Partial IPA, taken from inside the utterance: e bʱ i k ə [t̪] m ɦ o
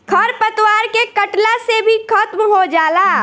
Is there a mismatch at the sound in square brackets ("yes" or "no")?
no